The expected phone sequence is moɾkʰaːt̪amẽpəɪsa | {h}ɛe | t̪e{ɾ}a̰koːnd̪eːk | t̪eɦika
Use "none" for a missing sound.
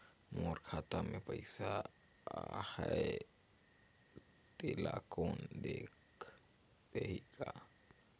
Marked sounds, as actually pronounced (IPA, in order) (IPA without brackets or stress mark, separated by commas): h, l